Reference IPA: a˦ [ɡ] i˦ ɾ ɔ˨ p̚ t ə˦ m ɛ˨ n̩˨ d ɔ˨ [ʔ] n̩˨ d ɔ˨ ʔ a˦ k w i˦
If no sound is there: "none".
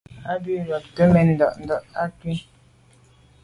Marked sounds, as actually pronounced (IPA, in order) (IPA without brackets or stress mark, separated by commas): b, ʔ